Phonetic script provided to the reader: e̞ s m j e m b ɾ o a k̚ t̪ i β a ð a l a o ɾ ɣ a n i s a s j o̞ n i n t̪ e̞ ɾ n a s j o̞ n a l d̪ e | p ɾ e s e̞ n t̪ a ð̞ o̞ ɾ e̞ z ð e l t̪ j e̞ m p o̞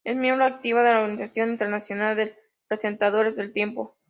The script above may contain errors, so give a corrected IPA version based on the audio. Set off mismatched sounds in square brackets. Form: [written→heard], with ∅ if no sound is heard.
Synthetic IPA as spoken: e̞ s m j e m b ɾ o a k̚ t̪ i β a ð [a→e] l a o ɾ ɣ a n i s a s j o̞ n i n t̪ e̞ ɾ n a s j o̞ n a l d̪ e | p ɾ e s e̞ n t̪ a ð̞ o̞ ɾ e̞ z ð e l t̪ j e̞ m p o̞